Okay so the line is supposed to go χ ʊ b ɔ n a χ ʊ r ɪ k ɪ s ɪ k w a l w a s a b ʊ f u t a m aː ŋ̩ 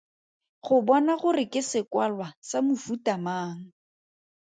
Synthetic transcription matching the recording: χ ʊ b ɔ n a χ ʊ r ɪ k ɪ s ɪ k w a l w a s a m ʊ f u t a m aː ŋ̩